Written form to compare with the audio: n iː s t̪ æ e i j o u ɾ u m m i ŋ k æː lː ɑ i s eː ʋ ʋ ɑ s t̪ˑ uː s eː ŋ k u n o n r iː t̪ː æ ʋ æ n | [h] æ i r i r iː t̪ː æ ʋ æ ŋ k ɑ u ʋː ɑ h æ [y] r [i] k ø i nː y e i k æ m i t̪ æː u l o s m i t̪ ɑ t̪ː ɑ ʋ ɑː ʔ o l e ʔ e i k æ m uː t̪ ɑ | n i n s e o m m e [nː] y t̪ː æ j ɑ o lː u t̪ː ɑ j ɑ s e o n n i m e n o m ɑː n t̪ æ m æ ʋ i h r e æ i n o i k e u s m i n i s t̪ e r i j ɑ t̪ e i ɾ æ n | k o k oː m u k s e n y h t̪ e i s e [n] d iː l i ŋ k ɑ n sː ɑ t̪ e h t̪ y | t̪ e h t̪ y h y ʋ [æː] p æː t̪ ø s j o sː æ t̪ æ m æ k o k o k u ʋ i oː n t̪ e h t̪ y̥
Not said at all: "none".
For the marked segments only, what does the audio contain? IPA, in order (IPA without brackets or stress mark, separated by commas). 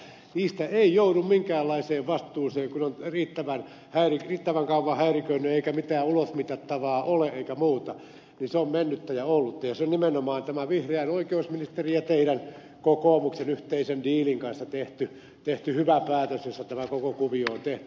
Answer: h, i, i, nː, n, æ